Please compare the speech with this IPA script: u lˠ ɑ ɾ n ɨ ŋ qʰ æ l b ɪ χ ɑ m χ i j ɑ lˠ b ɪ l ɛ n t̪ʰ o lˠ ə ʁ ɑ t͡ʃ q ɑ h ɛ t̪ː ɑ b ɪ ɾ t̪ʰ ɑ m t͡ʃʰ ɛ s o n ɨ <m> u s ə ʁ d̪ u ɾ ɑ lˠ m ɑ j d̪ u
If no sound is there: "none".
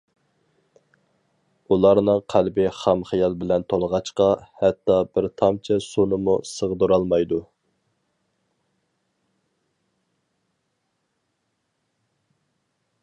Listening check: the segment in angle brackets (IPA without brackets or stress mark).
m